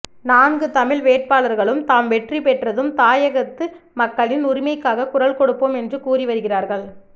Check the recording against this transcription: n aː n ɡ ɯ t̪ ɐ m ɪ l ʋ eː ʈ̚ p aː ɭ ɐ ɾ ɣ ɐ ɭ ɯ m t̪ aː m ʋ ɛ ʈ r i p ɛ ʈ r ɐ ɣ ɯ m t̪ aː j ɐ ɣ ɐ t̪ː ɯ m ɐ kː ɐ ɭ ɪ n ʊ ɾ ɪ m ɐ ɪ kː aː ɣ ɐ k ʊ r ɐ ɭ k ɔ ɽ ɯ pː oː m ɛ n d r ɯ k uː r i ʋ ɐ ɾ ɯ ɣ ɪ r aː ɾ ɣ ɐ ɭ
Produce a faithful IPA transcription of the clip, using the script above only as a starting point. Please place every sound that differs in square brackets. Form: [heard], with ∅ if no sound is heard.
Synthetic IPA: n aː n ɡ ɯ t̪ ɐ m ɪ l ʋ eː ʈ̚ p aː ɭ ɐ ɾ ɣ ɐ ɭ ɯ m t̪ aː m ʋ ɛ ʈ r i p ɛ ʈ r ɐ [ð] ɯ m t̪ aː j ɐ ɣ ɐ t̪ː ɯ m ɐ kː ɐ ɭ ɪ n ʊ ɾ ɪ m ɐ ɪ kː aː ɣ ɐ k ʊ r ɐ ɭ k ɔ ɽ ɯ pː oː m ɛ n d r ɯ k uː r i ʋ ɐ ɾ ɯ ɣ ɪ r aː ɾ ɣ ɐ ɭ